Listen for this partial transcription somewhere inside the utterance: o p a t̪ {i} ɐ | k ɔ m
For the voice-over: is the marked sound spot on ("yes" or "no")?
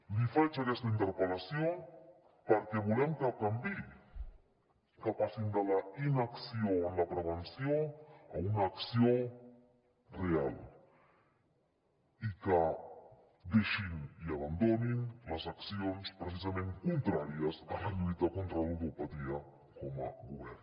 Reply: yes